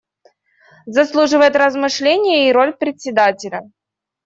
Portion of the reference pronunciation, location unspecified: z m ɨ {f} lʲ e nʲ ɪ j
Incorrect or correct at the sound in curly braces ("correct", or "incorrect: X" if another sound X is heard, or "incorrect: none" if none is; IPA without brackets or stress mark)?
incorrect: ʂ